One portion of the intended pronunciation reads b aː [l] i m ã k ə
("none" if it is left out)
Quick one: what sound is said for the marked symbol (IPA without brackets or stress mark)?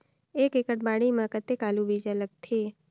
ɽ